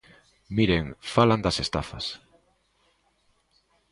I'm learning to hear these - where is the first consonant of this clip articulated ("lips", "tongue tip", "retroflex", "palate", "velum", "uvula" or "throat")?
lips